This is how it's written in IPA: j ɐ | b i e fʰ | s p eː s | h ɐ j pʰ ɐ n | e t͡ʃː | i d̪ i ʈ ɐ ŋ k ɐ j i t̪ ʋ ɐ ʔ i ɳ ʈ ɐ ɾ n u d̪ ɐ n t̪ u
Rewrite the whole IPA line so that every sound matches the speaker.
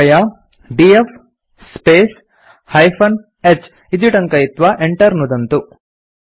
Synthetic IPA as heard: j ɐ | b i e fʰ | s p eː s | h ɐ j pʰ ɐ n | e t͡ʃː | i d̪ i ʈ ɐ ŋ k ɐ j i t̪ ʋ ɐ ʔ e ɳ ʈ ɐ ɾ n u d̪ ɐ n t̪ u